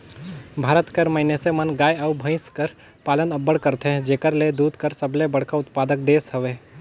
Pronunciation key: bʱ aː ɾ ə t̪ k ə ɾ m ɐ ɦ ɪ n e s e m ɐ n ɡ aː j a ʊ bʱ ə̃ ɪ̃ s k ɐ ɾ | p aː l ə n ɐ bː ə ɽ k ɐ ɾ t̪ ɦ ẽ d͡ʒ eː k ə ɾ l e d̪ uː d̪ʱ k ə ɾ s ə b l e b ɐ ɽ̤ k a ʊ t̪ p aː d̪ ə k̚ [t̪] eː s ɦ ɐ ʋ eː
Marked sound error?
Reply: yes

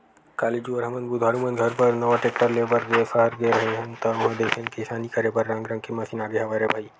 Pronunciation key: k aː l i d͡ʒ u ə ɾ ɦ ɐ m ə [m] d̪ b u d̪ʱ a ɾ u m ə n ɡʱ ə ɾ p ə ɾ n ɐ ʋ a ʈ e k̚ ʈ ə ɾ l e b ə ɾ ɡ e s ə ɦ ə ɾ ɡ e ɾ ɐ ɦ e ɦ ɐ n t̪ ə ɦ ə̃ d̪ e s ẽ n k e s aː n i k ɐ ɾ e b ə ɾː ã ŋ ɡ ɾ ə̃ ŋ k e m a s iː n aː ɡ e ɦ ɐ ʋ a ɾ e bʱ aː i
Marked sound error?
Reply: yes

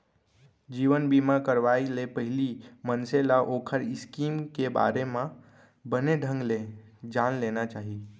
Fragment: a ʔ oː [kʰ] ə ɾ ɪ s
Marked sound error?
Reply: no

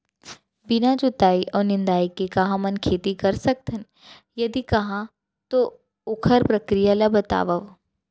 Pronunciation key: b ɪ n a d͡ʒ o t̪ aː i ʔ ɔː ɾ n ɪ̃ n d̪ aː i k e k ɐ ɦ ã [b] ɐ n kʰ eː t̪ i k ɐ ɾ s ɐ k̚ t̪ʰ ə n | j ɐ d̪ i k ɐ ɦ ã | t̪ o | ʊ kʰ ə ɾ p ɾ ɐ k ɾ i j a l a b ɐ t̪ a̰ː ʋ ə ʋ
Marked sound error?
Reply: yes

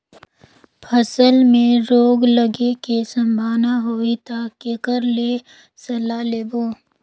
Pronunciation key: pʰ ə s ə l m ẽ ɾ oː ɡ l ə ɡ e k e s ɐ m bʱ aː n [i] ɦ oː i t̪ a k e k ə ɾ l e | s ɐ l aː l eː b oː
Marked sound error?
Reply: yes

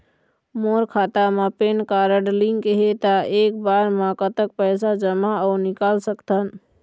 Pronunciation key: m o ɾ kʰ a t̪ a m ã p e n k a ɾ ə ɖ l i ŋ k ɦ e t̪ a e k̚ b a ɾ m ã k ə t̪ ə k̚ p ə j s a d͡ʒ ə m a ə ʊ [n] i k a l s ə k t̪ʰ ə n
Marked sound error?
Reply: no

